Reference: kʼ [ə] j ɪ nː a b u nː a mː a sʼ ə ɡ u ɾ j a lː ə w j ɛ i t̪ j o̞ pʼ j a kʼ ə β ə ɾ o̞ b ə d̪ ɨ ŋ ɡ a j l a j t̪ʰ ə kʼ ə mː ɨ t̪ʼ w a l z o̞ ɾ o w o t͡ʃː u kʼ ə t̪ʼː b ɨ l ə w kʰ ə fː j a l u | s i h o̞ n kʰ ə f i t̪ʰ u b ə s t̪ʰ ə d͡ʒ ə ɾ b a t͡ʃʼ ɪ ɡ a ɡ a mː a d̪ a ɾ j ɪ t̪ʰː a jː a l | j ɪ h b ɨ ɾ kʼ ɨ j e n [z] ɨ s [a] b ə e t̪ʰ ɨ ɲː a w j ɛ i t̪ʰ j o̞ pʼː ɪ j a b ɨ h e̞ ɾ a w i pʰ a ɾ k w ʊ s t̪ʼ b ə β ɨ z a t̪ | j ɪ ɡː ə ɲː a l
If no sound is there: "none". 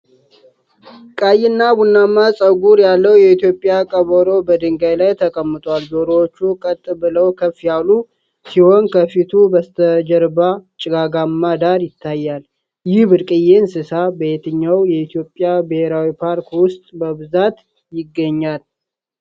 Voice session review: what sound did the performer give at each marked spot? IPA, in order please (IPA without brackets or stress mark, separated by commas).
a, s, a